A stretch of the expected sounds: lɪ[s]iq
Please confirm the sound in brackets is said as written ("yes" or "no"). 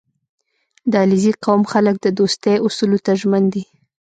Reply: no